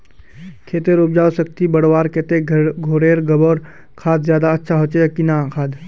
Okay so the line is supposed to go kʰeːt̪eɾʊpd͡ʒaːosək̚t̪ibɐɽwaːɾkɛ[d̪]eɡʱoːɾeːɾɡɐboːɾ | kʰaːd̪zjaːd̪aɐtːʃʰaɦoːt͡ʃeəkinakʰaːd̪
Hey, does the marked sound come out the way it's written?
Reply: no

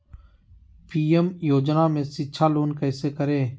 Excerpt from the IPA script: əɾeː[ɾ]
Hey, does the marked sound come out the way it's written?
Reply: no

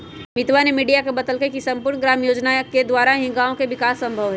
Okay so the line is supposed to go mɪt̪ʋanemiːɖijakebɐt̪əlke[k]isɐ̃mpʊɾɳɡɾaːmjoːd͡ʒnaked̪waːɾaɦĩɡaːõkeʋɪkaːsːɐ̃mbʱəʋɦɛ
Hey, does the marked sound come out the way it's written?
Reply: yes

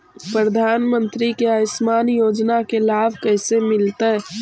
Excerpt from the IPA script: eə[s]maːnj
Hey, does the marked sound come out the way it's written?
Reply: yes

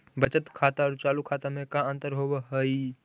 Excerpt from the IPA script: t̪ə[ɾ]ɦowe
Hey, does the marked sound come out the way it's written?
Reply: yes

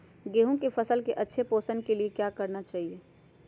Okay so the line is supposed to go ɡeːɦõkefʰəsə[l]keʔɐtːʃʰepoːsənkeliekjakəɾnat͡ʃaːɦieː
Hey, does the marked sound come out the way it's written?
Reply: yes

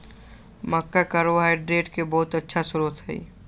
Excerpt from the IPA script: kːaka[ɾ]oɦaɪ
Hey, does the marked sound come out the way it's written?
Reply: yes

